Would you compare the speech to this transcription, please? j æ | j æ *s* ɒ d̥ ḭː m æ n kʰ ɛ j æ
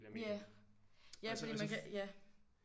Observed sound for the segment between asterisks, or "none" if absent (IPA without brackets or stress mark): f